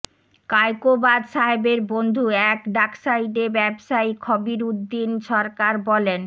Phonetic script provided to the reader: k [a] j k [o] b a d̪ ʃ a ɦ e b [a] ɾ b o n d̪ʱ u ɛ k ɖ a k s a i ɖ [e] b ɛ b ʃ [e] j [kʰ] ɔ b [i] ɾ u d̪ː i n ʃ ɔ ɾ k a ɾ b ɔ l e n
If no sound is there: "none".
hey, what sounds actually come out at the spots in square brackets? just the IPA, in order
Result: a, o, e, e, a, kʰ, i

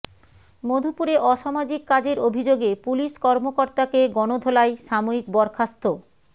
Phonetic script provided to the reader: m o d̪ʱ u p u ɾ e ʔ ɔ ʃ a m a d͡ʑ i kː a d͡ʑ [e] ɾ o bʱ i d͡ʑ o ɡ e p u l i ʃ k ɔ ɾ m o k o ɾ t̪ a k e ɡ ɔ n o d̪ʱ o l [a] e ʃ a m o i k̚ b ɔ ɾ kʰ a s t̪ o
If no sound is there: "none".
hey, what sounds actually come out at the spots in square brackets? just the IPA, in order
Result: e, a

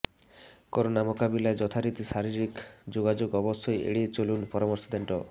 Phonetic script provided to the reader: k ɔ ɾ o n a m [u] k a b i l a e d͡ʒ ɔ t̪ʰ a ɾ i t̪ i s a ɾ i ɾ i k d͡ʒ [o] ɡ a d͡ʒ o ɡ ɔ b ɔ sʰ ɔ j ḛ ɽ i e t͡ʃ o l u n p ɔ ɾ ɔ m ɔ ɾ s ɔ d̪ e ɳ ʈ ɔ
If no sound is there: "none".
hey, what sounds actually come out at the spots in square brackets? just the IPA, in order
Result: o, o

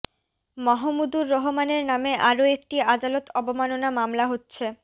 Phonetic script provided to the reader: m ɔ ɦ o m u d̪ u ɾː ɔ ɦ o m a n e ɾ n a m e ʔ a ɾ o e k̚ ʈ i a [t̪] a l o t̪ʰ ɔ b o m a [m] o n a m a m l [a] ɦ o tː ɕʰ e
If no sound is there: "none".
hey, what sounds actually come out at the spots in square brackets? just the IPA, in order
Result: d̪, n, a

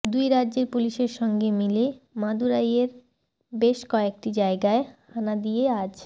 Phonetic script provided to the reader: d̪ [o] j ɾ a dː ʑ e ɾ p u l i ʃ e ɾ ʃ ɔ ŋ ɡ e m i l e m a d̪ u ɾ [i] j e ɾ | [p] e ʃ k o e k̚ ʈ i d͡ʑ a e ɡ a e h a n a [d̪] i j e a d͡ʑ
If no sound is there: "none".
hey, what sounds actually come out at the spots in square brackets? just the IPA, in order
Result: u, a, b, d̪

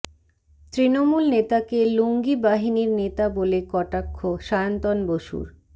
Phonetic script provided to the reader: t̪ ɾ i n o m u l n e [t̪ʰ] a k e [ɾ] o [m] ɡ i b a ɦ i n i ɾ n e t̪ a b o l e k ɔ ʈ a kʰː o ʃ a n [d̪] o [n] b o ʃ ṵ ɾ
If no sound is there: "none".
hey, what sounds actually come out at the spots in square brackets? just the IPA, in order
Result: t̪, l, ŋ, t̪, n

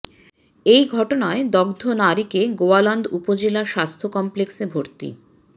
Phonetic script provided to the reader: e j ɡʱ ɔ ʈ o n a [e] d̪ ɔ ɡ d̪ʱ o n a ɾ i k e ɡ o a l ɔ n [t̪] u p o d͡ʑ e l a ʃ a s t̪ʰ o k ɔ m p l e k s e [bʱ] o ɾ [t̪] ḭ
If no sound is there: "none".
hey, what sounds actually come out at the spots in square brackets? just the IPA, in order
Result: e, d̪, bʱ, t̪

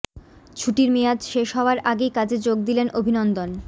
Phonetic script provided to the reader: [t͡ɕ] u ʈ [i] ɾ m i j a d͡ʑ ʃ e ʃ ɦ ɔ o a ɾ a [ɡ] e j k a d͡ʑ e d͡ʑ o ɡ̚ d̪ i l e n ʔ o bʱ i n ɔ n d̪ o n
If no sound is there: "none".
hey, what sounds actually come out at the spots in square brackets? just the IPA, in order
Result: t͡ɕʰ, i, ɡ

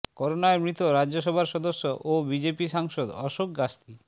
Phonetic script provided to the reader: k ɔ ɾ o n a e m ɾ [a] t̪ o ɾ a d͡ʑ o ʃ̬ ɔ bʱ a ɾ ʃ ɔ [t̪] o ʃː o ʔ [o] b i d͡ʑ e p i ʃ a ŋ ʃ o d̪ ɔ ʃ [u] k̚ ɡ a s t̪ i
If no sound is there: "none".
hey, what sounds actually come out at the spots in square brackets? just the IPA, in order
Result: i, d̪, o, o

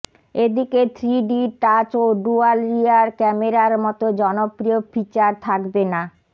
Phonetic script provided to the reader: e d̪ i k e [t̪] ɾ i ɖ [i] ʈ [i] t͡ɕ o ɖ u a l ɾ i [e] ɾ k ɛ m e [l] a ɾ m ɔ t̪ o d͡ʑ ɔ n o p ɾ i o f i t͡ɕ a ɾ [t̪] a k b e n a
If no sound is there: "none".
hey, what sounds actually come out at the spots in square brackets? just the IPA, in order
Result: t̪ʰ, i, a, a, ɾ, t̪ʰ

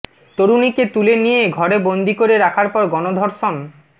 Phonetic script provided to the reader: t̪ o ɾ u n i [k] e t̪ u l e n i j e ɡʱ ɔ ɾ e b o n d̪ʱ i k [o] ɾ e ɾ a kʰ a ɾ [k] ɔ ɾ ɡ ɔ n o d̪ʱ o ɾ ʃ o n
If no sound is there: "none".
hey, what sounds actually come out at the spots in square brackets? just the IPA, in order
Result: k, o, p

